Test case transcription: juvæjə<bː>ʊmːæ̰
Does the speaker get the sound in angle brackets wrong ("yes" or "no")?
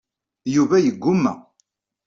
yes